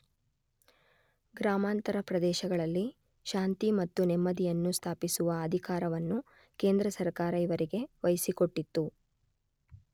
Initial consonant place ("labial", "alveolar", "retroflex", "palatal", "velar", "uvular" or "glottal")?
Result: velar